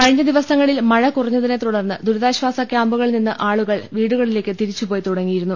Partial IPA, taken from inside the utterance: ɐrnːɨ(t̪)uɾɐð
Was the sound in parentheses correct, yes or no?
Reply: no